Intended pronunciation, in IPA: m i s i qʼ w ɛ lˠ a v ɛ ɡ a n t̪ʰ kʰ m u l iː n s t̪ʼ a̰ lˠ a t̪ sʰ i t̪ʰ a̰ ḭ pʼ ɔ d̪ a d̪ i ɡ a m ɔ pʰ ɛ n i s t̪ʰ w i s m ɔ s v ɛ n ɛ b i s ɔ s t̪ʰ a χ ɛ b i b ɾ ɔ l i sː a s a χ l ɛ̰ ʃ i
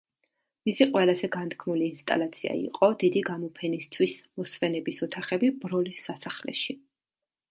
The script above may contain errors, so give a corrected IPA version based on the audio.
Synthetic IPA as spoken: m i s i qʼ w ɛ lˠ a z ɛ ɡ a n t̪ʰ kʰ m u l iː n s t̪ʼ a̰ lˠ a t̪ sʰ i a̰ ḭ qʼ ɔ d̪ i d̪ i ɡ a m ɔ pʰ ɛ n i s t̪ʰ w i s m ɔ s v ɛ n ɛ b i s ɔ t̪ʰ a χ ɛ b i b ɾ ɔ l i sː a s a χ l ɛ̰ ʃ i